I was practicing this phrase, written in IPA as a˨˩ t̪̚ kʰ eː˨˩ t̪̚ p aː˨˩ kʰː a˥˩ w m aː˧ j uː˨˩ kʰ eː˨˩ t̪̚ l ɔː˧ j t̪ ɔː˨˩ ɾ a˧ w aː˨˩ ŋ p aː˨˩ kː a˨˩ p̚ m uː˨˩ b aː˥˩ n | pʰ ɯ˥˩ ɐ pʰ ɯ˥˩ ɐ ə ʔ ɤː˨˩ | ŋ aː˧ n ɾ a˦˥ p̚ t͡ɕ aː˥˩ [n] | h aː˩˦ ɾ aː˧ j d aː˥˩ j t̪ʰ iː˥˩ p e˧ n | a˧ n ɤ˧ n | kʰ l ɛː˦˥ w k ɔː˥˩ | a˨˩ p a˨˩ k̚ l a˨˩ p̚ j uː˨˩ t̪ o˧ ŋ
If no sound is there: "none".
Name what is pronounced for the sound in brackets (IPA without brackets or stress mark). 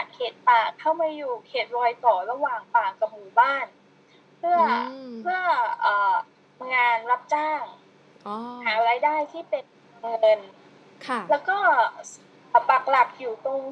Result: ŋ